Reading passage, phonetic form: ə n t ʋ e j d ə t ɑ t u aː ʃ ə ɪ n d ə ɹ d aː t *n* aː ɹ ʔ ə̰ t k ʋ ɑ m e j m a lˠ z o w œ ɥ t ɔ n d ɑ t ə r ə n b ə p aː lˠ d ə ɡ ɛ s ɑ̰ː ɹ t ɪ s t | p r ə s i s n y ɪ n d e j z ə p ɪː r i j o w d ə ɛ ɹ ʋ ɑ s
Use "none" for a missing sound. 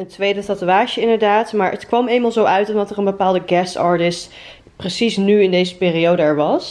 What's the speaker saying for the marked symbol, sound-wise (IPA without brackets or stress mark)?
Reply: m